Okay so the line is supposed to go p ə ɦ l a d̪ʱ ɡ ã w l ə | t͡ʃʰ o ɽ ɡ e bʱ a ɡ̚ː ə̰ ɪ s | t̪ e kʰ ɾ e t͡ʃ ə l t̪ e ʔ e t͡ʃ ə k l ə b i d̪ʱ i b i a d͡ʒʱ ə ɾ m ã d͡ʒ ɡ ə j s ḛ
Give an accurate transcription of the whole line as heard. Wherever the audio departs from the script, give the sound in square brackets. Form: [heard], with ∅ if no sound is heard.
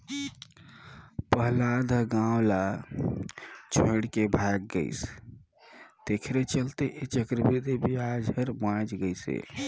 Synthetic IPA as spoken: p ə ɦ l a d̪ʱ ɡ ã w l [a] | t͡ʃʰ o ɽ [k] e bʱ a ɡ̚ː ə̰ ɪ s | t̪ e kʰ ɾ e t͡ʃ ə l t̪ e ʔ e t͡ʃ ə k [ɾ] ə b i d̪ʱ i b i a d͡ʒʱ ə ɾ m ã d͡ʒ ɡ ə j s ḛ

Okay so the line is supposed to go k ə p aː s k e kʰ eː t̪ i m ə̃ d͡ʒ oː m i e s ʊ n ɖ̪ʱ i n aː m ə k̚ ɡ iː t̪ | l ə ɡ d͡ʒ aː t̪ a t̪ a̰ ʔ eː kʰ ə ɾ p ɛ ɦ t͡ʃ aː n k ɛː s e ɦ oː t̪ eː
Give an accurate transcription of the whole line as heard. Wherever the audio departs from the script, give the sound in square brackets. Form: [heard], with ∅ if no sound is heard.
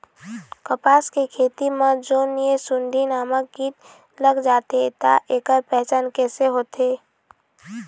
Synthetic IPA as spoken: k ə p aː s k e kʰ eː t̪ i m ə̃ d͡ʒ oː [n] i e s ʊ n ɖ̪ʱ i n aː m ə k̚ ɡ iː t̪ | l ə ɡ d͡ʒ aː t̪ [e] t̪ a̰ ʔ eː [k] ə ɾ p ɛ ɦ t͡ʃ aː n k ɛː s e ɦ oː t̪ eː

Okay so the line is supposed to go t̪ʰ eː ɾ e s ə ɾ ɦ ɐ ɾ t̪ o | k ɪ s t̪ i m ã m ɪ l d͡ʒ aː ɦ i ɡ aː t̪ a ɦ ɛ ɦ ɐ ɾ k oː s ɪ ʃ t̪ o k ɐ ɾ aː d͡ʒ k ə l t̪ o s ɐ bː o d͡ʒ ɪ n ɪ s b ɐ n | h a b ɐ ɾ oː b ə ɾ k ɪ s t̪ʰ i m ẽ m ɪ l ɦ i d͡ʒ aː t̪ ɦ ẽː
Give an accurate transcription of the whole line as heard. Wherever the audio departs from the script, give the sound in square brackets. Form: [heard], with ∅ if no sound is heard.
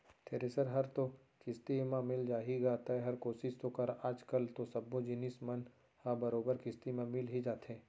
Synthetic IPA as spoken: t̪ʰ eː ɾ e s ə ɾ ɦ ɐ ɾ t̪ o | k ɪ s t̪ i m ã m ɪ l d͡ʒ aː ɦ i ɡ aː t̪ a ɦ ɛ ɦ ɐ ɾ k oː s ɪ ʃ t̪ o k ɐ ɾ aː d͡ʒ k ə l t̪ o s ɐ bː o d͡ʒ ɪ n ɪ s [m] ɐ n | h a b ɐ ɾ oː b ə ɾ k ɪ s [t̪] i m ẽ m ɪ l ɦ i d͡ʒ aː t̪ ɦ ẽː

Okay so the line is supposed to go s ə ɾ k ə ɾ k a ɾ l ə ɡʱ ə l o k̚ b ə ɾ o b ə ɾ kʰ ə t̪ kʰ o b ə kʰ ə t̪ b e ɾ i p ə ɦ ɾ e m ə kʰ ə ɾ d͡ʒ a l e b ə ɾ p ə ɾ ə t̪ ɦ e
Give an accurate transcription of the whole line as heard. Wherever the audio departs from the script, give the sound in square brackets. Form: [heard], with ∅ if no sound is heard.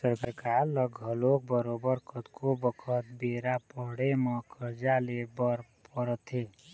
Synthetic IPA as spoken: s ə ɾ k ə ɾ k a ɾ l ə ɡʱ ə l o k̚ b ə ɾ o b ə ɾ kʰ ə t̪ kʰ o b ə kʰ ə t̪ b e ɾ [a] p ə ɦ [ɽ] e m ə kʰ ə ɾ d͡ʒ a l e b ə ɾ p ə ɾ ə t̪ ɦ e

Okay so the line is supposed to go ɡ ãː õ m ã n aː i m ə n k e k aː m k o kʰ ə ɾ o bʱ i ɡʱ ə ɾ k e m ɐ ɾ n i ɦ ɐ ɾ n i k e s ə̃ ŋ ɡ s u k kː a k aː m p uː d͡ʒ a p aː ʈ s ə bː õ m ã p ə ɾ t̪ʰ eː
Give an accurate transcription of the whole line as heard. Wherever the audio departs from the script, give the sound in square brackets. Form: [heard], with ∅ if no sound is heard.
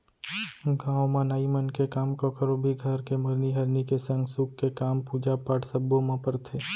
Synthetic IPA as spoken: ɡ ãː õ m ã n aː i m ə n k e k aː m k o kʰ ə ɾ o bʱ i ɡʱ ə ɾ k e m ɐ ɾ n i ɦ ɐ ɾ n i k e s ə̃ ŋ ɡ s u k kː [e] k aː m p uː d͡ʒ a p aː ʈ s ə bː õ m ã p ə ɾ t̪ʰ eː

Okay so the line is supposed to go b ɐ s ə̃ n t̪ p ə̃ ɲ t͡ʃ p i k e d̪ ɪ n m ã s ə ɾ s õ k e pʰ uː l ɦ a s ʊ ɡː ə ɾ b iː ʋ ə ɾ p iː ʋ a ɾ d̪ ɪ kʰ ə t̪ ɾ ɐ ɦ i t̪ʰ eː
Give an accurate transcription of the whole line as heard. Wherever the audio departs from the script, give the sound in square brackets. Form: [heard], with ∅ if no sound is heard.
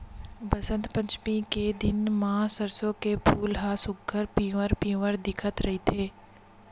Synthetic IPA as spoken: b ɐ s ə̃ n t̪ p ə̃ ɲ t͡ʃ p i k e d̪ ɪ n m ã s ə ɾ s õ k e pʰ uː l ɦ a s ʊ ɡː ə ɾ [p] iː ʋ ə ɾ p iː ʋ [ə] ɾ d̪ ɪ kʰ ə t̪ ɾ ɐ ɦ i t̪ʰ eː

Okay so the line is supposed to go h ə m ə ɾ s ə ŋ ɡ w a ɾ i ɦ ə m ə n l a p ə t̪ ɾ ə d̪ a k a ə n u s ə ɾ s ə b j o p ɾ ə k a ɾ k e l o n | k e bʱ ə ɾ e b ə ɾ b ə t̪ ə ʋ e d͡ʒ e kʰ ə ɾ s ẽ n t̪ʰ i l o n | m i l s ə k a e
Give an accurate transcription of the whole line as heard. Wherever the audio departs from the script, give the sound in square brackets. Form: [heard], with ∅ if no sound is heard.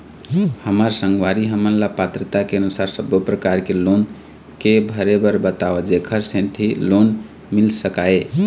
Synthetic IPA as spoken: h ə m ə ɾ s ə ŋ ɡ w a ɾ i ɦ ə m ə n l a p [a] t̪ ɾ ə [t̪] a k [e] ə n u s [a] ɾ s ə b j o p ɾ ə k a ɾ k e l o n | k e bʱ ə ɾ e b ə ɾ b ə t̪ [a] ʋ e d͡ʒ e kʰ ə ɾ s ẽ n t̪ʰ i l o n | m i l s ə k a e

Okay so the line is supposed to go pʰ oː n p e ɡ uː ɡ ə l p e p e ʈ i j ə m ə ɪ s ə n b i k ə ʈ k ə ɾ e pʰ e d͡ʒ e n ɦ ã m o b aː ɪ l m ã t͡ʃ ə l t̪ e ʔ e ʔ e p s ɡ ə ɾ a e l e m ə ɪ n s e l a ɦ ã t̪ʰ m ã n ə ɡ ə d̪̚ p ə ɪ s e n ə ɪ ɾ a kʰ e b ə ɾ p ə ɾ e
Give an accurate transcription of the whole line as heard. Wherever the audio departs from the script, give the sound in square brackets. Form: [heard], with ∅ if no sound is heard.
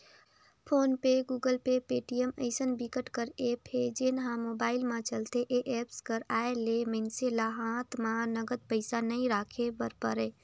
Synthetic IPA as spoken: pʰ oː n p e ɡ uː ɡ ə l p e p e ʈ i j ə m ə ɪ s ə n b i k ə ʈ k ə ɾ e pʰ e d͡ʒ e n ɦ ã m o b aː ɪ l m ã t͡ʃ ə l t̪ e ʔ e ʔ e p s [k] ə ɾ a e l e m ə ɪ n s e l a ɦ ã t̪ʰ m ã n ə ɡ ə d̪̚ p ə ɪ s [a] n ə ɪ ɾ a kʰ e b ə ɾ p ə ɾ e

